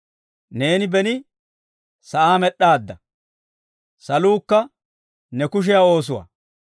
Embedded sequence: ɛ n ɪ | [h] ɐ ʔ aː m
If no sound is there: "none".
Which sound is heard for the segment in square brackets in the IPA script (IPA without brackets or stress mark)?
s